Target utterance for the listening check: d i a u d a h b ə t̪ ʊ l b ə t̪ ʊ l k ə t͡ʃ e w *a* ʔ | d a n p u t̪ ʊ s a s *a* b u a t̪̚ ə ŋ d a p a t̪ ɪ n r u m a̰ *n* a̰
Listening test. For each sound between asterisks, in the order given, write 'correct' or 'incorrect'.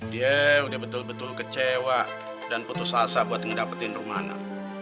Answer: correct, correct, correct

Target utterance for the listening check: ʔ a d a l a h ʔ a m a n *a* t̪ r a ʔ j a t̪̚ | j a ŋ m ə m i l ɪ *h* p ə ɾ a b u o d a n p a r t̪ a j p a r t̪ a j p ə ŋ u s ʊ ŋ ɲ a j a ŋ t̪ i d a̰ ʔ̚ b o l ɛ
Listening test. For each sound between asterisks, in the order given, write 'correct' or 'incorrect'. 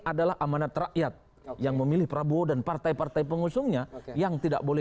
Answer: correct, correct

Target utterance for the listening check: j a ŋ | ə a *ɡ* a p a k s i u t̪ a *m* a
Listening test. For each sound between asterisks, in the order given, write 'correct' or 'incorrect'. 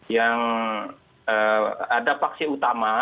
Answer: incorrect: d, correct

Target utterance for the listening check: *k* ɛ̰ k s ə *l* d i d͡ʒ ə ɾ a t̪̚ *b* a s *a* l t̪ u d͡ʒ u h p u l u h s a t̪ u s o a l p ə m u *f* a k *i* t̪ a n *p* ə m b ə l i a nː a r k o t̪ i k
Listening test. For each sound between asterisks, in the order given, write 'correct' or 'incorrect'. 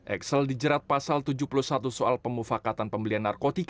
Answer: incorrect: ʔ, correct, incorrect: p, correct, correct, incorrect: a, correct

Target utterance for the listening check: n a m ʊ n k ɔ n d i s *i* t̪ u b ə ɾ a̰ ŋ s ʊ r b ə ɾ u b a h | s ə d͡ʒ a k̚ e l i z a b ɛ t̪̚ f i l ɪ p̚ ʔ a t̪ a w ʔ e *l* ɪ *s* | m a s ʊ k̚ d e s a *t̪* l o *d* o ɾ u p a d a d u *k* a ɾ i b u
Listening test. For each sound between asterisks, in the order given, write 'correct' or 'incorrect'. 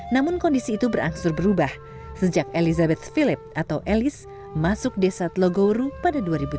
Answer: incorrect: iː, correct, correct, correct, incorrect: ɡ, incorrect: none

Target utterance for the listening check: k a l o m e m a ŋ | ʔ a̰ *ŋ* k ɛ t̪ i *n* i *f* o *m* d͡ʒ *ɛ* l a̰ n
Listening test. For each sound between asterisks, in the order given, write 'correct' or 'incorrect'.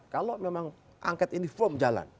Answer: correct, correct, correct, correct, incorrect: a

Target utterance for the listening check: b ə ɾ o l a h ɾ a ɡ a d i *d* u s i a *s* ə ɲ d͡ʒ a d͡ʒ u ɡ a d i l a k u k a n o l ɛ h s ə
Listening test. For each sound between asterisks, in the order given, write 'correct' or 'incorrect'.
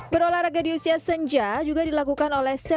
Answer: incorrect: none, correct

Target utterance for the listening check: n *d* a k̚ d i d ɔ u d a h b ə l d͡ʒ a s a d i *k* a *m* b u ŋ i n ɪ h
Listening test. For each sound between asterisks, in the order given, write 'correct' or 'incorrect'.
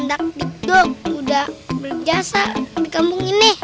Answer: correct, correct, correct

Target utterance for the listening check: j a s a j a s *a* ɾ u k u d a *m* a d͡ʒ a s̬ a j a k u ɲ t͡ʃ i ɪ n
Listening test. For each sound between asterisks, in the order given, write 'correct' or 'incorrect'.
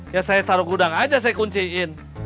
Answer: correct, incorrect: ŋ

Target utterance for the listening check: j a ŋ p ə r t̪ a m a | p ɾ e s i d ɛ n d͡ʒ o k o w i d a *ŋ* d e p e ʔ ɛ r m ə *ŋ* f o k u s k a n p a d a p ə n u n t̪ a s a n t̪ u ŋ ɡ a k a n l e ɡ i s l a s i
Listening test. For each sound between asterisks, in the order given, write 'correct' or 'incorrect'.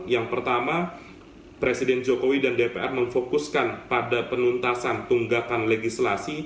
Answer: incorrect: n, correct

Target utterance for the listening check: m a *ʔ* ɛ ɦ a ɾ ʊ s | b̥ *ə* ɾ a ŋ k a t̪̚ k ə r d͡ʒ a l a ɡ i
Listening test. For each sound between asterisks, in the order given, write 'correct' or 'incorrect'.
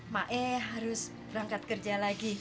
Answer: correct, correct

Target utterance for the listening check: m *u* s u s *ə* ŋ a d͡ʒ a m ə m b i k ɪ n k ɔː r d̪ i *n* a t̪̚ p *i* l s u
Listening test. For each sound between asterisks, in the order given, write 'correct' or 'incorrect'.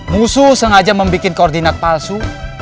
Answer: correct, correct, correct, incorrect: a

